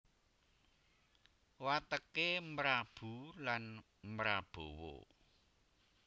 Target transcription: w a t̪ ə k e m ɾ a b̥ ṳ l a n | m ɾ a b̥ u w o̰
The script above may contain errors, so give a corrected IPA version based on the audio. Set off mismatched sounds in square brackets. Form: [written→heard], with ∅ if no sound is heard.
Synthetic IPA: w a t̪ ə k e m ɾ a b̥ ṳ l a n | m ɾ a b̥ [u→o] w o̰